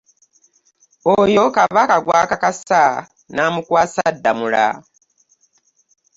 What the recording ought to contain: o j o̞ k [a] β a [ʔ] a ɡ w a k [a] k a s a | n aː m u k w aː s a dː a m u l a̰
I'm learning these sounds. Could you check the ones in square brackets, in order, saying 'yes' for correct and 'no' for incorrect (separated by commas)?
yes, no, yes